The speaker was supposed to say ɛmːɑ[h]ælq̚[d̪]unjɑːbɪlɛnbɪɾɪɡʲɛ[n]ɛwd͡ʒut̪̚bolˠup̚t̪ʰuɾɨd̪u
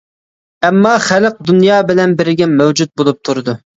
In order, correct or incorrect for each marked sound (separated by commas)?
incorrect, correct, incorrect